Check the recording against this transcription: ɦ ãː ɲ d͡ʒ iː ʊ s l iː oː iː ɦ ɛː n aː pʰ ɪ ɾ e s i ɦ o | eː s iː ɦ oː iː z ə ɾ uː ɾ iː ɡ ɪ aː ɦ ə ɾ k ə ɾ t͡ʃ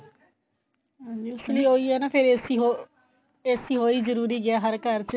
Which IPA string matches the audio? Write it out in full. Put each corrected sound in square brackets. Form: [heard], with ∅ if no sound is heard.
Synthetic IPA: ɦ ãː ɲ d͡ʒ iː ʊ s l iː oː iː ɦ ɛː n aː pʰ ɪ ɾ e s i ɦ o | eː s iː ɦ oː iː z ə ɾ uː ɾ iː ɡ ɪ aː ɦ ə ɾ k ə ɾ t͡ʃ